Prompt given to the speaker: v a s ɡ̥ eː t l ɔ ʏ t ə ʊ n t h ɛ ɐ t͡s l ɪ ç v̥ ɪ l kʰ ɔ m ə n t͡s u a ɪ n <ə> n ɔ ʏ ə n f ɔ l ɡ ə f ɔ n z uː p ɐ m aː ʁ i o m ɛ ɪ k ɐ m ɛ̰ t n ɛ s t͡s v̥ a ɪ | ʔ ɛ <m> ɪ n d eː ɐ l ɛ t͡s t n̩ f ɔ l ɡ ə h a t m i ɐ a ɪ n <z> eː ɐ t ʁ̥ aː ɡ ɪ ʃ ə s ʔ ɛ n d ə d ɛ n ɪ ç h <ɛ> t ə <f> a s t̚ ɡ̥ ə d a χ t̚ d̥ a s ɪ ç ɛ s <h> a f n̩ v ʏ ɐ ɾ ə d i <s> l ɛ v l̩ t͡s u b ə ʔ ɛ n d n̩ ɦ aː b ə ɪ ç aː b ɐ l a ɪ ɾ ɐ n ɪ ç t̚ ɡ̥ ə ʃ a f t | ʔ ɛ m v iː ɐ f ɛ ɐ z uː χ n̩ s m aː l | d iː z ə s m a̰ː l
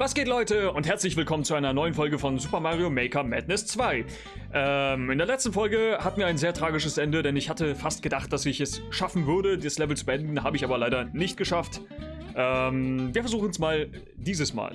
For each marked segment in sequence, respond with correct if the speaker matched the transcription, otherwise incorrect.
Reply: incorrect: ɐ, correct, correct, incorrect: a, correct, incorrect: ʃ, correct

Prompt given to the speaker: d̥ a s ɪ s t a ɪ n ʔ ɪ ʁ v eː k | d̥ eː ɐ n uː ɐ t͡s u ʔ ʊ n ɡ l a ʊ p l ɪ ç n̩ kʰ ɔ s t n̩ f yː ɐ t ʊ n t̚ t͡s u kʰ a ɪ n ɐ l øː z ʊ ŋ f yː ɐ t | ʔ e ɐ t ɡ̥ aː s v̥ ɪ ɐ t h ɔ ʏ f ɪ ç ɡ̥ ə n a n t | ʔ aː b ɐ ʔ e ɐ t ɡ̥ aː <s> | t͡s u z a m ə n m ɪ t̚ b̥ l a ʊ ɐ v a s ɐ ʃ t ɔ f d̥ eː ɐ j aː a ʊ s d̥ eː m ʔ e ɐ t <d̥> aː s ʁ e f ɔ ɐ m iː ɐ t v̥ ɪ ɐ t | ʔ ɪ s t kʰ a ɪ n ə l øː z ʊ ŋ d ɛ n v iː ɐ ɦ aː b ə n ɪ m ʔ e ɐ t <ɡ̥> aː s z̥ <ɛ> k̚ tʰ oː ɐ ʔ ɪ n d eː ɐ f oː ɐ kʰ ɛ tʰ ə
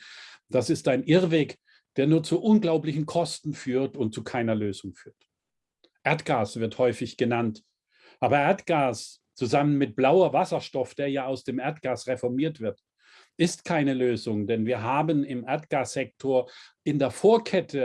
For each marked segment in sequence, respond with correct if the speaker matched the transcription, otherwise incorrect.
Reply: correct, incorrect: ɡ̥, correct, correct

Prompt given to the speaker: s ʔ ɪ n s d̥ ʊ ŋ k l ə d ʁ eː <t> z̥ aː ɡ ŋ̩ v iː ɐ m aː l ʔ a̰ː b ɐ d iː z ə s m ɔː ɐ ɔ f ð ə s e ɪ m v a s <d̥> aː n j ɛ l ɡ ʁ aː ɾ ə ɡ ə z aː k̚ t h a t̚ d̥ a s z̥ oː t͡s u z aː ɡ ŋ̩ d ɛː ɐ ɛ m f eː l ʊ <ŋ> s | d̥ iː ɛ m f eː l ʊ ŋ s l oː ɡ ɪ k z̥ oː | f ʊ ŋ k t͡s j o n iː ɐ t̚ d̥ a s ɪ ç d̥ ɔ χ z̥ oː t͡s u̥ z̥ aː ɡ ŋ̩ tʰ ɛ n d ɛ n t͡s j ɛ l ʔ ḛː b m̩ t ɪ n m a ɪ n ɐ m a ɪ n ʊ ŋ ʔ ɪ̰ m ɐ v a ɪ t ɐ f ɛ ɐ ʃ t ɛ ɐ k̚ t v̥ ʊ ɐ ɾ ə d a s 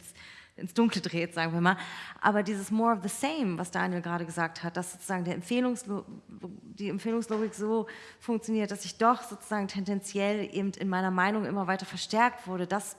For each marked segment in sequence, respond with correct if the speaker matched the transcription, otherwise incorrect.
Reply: correct, correct, correct

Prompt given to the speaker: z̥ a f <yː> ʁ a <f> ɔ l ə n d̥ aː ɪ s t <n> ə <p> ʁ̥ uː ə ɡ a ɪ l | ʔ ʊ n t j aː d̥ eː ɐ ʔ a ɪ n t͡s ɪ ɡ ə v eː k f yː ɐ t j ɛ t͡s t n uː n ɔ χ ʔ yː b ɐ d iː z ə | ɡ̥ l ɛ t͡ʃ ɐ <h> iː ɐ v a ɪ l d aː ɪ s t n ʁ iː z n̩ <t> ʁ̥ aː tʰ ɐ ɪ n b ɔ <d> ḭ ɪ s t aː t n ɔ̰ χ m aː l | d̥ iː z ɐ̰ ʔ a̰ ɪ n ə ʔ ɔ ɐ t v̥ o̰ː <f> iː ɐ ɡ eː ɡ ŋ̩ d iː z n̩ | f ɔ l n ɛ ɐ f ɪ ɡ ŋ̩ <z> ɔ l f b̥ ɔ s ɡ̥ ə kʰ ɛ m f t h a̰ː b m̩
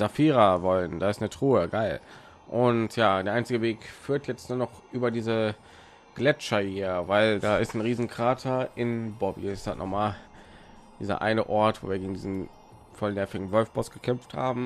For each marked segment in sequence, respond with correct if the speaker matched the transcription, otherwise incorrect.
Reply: incorrect: iː, incorrect: v, correct, incorrect: t, correct, incorrect: k, incorrect: b, incorrect: v, incorrect: v

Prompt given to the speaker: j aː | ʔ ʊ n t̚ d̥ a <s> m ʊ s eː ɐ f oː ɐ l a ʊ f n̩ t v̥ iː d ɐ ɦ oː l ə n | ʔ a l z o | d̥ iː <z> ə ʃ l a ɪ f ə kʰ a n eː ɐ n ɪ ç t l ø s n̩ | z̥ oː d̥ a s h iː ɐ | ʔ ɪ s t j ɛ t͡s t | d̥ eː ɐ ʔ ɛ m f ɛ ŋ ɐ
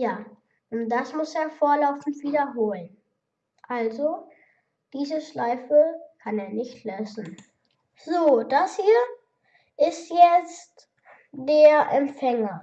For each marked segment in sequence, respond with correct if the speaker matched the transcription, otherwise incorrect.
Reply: correct, correct

